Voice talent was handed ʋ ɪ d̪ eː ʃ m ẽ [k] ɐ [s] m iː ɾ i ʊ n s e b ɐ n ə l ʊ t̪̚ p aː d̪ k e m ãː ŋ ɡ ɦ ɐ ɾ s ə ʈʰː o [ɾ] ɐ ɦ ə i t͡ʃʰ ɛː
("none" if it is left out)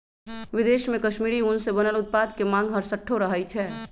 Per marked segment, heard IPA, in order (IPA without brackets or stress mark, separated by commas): k, ʃ, ɾ